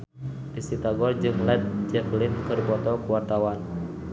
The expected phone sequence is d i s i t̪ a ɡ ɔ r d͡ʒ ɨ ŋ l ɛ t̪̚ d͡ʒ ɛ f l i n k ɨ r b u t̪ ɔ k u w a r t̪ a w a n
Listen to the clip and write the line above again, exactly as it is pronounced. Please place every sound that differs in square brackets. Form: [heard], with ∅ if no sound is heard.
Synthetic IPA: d i s i t̪ a ɡ ɔ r d͡ʒ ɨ ŋ l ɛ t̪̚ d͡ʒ ɛ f l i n k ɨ r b [ɔ] t̪ ɔ k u w a r t̪ a w a n